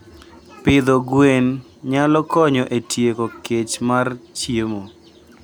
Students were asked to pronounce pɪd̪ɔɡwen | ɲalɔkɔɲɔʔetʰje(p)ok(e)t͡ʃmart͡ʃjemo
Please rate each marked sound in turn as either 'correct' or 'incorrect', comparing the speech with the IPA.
incorrect: k, correct

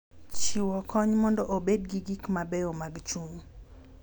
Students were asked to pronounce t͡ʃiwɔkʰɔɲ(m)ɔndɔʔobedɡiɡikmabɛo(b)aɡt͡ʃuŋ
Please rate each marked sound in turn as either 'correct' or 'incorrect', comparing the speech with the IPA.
correct, incorrect: m

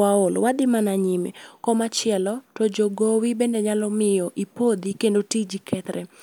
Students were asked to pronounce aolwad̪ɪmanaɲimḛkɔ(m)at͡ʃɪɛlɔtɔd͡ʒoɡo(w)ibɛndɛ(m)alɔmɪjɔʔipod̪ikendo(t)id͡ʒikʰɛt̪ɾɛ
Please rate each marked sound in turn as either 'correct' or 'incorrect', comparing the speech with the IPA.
correct, correct, incorrect: ɲ, correct

